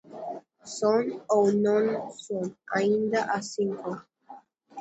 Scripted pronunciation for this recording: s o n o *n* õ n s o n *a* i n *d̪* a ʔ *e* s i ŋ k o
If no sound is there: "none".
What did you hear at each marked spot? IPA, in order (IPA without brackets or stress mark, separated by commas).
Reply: n, a, d̪, a